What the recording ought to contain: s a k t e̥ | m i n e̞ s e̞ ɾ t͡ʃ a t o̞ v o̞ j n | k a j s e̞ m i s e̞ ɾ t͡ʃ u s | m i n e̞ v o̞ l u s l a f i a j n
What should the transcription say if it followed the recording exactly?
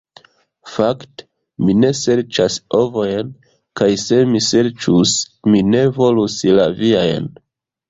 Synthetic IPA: f a k t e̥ | m i n e̞ s e̞ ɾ t͡ʃ a s o̞ v o̞ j n | k a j s e̞ m i s e̞ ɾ t͡ʃ u s | m i n e̞ v o̞ l u s l a v i a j n